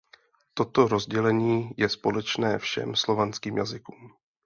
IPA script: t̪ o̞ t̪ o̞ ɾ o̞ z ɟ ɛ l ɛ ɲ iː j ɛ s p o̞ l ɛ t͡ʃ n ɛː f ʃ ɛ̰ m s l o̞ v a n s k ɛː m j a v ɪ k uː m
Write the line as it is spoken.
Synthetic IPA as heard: t̪ o̞ t̪ o̞ ɾ o̞ z ɟ ɛ l ɛ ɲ iː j ɛ s p o̞ l ɛ t͡ʃ n ɛː f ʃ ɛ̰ m s l o̞ v a n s k iː m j a z ɪ k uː m